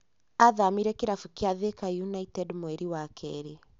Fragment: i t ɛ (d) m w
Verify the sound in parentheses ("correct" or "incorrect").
correct